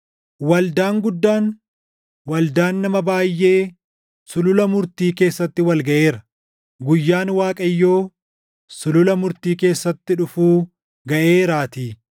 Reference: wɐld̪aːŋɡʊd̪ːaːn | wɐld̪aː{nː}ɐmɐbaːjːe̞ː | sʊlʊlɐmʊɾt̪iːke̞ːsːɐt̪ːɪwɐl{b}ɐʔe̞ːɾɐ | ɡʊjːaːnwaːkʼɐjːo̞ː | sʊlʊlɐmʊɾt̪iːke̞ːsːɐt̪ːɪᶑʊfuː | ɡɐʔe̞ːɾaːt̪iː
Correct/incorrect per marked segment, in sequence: correct, incorrect: ɡ

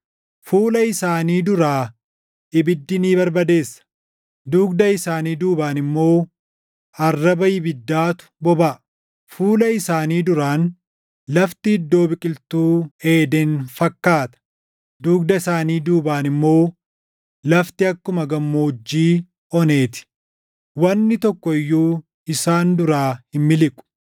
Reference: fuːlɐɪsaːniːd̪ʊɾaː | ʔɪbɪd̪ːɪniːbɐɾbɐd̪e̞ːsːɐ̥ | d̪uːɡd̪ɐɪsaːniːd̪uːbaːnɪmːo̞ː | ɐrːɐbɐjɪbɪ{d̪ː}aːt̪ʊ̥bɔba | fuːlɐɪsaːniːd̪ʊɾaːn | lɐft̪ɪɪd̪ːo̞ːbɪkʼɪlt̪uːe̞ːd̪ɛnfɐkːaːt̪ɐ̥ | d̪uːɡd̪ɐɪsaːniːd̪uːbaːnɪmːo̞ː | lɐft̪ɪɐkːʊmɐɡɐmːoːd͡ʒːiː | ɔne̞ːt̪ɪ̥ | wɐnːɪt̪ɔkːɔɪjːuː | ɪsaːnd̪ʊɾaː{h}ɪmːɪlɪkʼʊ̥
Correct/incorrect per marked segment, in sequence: correct, correct

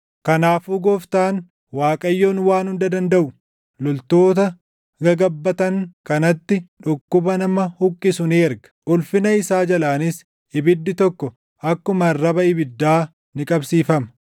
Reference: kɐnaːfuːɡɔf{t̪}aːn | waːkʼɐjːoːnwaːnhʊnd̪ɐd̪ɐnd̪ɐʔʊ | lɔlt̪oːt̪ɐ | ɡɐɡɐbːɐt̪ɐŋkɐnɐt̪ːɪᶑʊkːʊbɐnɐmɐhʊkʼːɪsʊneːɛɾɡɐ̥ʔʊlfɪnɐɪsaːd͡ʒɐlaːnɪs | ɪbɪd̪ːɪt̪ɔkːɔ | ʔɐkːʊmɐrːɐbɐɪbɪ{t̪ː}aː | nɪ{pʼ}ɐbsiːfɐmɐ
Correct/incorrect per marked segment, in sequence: correct, incorrect: d̪ː, incorrect: kʼ

